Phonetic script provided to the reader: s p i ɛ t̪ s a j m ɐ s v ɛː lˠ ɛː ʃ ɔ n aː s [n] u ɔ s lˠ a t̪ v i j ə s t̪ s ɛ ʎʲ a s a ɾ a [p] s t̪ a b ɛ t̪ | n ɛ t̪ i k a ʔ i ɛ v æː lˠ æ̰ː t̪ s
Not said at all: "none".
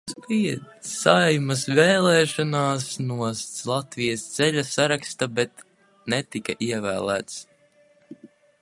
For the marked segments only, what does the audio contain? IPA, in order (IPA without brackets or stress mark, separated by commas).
n, k